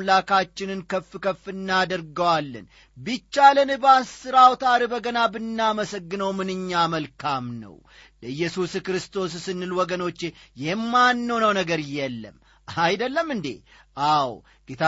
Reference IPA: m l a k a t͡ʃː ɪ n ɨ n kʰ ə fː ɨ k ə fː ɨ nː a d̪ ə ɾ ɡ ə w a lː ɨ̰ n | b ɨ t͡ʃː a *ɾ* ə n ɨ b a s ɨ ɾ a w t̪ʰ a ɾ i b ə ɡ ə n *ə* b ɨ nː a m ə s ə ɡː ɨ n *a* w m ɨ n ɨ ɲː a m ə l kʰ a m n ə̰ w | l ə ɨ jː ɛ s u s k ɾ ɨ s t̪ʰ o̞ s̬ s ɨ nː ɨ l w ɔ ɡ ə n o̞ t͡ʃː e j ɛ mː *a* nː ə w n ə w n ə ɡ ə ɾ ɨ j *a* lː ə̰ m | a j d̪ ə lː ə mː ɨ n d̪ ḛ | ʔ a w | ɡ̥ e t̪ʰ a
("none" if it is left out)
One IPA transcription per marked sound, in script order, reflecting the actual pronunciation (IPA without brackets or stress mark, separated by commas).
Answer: l, a, ə, a, ɛ